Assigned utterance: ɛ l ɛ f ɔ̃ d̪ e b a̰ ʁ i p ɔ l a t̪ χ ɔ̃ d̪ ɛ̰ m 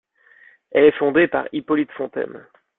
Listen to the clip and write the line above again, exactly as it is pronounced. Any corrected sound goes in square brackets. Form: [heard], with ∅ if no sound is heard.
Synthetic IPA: ɛ l ɛ f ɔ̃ d̪ e [p] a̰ ʁ i p ɔ l [i] t̪ [f] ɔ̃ [t̪] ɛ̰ m